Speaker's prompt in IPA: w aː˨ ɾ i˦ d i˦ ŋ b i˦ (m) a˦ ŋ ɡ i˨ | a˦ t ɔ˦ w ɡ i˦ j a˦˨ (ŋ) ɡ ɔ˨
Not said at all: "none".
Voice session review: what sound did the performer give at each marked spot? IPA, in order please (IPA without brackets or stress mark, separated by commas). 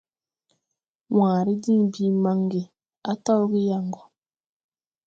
m, ŋ